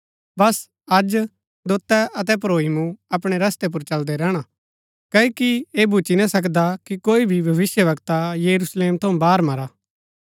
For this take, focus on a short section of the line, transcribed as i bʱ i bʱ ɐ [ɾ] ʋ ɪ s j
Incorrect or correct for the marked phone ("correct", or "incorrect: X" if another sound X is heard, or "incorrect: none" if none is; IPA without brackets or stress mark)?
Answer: incorrect: none